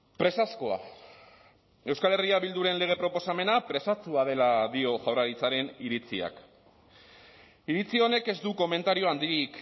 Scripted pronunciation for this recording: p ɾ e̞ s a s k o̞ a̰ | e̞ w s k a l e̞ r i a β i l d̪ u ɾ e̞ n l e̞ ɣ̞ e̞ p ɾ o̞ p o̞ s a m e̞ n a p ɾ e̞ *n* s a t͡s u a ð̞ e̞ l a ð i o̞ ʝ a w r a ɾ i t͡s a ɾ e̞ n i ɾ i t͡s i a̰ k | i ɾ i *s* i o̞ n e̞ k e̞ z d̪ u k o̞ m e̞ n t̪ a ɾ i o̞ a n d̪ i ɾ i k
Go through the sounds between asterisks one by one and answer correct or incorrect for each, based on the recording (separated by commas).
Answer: incorrect, incorrect